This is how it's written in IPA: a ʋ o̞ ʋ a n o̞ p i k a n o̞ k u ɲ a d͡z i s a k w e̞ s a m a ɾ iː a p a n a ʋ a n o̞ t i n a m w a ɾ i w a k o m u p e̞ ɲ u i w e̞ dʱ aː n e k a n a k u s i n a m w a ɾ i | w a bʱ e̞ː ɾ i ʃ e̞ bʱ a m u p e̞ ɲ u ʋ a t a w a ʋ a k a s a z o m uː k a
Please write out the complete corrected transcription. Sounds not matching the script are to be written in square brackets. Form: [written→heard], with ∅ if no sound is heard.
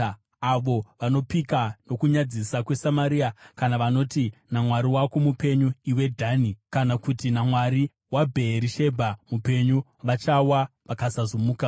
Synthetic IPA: a ʋ o̞ ʋ a n o̞ p i k a n o̞ k u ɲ a d͡z i s a k w e̞ s a m a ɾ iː a [p→k] a n a ʋ a n o̞ t i n a m w a ɾ i w a k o m u p e̞ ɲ u i w e̞ dʱ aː n [e→i] k a n a k u [s→t] i n a m w a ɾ i | w a bʱ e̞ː ɾ i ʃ e̞ bʱ a m u p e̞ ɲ u ʋ a [t→t͡ʃ] a w a ʋ a k a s a z o m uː k a